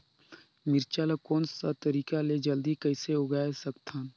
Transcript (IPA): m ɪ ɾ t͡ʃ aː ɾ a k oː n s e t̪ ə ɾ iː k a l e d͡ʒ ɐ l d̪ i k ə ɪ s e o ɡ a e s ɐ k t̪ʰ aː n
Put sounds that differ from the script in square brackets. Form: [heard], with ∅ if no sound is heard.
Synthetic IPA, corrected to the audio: m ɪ ɾ t͡ʃ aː [l] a k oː n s [a] t̪ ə ɾ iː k a l e d͡ʒ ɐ l d̪ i k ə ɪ s e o ɡ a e s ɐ k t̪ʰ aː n